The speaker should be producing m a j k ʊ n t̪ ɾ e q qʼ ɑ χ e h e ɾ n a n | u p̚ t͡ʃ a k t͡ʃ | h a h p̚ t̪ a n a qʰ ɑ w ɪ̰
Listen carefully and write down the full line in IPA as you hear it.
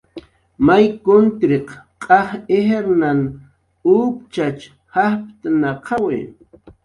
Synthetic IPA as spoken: m a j k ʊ n t̪ ɾ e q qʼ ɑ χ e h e ɾ n a n | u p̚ t͡ʃ a t͡ʃ | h a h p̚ t̪ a n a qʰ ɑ w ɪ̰